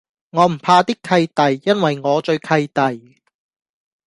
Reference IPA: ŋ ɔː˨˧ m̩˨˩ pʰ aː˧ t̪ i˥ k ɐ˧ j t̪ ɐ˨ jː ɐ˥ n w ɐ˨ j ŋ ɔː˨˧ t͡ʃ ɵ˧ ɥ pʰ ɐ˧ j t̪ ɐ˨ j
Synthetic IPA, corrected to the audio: ŋ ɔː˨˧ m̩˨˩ pʰ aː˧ t̪ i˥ kʰ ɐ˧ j t̪ ɐ˨ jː ɐ˥ n w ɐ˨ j ŋ ɔː˨˧ t͡ʃ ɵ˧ ɥ kʰ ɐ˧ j t̪ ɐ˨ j